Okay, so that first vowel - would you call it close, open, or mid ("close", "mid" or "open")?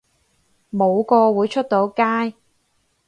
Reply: mid